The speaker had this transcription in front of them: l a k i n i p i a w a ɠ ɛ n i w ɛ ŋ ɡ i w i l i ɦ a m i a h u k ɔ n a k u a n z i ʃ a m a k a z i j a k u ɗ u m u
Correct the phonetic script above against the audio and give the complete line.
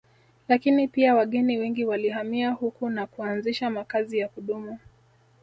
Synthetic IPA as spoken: l a k i n i p i a w a ɠ ɛ n i w ɛ ŋ ɡ i w a l i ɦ a m i a h u k u n a k u a n z i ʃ a m a k a z i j a k u ɗ u m u